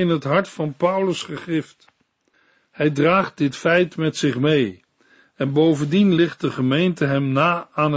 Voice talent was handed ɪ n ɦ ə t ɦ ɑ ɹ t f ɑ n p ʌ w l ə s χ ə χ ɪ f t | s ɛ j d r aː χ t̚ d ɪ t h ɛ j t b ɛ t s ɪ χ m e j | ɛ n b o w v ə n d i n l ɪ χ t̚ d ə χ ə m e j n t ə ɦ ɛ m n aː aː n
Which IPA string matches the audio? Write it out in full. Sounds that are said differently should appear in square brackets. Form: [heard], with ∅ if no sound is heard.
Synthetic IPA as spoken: ɪ n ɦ ə t ɦ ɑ ɹ t f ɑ n p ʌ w l ə s χ ə χ ɪ f t | [h] ɛ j d r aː χ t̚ d ɪ t [f] ɛ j t [m] ɛ t s ɪ χ m e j | ɛ n b o w v ə n d i n l ɪ χ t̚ d ə χ ə m e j n t ə ɦ ɛ m n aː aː n